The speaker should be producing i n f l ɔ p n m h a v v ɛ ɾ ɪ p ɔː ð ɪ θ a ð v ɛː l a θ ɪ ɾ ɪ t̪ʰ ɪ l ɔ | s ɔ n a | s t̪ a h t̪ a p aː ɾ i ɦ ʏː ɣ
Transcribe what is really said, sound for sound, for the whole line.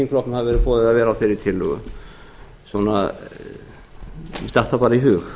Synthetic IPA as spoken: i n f l ɔ k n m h a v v ɛ ɾ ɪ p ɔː ð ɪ ð a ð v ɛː ɾ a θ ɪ ɾ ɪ t̪ʰ ɪ l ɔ | s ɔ n a | s t̪ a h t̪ a p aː ɾ i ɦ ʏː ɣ